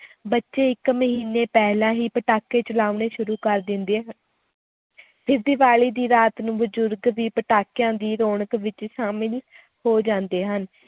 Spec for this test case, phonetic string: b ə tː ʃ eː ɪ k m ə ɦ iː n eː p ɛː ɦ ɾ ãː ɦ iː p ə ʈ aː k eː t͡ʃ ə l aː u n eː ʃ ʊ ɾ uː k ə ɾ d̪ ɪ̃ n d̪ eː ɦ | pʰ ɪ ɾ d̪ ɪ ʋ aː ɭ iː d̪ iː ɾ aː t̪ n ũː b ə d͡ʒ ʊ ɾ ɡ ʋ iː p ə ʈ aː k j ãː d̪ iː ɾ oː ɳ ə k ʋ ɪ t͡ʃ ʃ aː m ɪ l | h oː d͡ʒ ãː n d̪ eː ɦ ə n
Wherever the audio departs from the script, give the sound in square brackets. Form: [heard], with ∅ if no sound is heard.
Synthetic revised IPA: b ə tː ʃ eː ɪ k m ə ɦ iː n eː p ɛː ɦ [l] ãː ɦ iː p ə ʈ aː k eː t͡ʃ ə l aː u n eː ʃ ʊ ɾ uː k ə ɾ d̪ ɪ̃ n d̪ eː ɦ | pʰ ɪ ɾ d̪ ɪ ʋ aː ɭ iː d̪ iː ɾ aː t̪ n ũː b ə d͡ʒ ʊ ɾ ɡ ʋ iː p ə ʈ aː k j ãː d̪ iː ɾ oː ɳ ə k ʋ ɪ t͡ʃ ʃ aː m ɪ l | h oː d͡ʒ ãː n d̪ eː ɦ ə n